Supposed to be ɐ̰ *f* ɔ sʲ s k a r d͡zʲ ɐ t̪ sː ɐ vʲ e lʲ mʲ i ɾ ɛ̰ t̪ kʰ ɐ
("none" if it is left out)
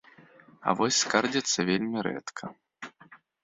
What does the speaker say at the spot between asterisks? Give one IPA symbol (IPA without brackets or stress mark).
v